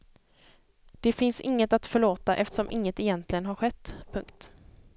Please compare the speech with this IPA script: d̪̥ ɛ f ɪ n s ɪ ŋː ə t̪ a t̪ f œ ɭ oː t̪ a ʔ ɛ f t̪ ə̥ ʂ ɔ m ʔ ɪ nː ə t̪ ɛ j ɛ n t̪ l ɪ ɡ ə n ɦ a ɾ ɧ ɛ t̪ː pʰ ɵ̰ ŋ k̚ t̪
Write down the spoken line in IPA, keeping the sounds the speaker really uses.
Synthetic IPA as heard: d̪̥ ɛ f ɪ n s ɪ ŋː ə t̪ a t̪ f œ ɭ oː t̪ a ʔ ɛ f t̪ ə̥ ʂ ɔ m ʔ ɪ ŋː ə t̪ ɛ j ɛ n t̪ l ɪ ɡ ə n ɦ a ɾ ɧ ɛ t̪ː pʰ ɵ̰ ŋ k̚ t̪